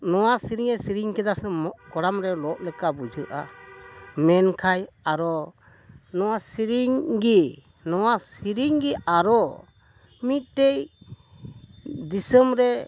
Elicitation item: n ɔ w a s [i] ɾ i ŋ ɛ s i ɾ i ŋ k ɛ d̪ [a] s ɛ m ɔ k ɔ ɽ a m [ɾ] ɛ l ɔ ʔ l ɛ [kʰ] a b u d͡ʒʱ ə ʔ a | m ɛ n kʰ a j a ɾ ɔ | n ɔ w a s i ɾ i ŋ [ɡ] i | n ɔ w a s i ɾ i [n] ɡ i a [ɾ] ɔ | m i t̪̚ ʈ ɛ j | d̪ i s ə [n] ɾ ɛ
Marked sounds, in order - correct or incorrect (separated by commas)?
correct, correct, correct, incorrect, correct, incorrect, correct, incorrect